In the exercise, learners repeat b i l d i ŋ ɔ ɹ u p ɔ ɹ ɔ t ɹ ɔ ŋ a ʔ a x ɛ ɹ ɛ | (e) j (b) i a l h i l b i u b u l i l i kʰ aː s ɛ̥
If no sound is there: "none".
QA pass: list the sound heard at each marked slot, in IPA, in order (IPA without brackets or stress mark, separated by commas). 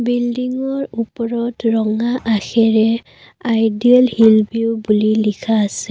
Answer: a, d